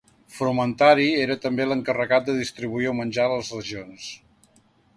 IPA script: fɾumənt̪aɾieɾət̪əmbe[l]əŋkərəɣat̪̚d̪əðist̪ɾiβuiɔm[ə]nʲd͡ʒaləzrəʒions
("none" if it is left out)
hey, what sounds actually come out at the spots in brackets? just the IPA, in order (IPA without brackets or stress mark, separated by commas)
l, ə